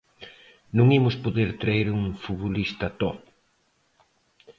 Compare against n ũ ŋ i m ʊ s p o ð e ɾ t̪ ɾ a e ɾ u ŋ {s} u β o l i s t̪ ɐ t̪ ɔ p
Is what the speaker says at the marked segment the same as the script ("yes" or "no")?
no